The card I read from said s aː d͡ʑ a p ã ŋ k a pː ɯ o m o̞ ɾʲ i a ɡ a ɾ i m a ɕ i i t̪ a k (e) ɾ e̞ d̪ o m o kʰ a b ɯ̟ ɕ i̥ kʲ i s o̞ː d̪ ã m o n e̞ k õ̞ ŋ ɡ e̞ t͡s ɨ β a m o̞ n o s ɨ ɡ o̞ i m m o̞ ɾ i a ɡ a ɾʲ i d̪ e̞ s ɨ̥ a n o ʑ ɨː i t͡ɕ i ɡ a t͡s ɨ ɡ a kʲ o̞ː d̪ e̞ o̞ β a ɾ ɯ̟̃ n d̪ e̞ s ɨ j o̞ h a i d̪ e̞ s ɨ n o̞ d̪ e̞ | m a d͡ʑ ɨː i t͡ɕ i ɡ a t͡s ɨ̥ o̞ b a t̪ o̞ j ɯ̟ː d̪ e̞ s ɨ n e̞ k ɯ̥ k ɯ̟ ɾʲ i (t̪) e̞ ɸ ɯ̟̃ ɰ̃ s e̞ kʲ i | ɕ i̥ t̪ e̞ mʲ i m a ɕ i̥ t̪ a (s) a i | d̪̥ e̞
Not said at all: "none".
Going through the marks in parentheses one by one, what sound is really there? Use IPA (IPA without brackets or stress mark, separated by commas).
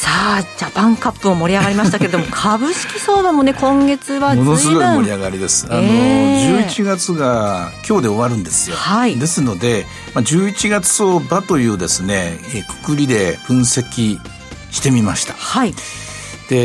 e, d̪, h